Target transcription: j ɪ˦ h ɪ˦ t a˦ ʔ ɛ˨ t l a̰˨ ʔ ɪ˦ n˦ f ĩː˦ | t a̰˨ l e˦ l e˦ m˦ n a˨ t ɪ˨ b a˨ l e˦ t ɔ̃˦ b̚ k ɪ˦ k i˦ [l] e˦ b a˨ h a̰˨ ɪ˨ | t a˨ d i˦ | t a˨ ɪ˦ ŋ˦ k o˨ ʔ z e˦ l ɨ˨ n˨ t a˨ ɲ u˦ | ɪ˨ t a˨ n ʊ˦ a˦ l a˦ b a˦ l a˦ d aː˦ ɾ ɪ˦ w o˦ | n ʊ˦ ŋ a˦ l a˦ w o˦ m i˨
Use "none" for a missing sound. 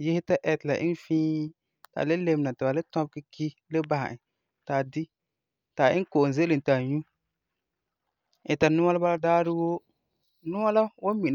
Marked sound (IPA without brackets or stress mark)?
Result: l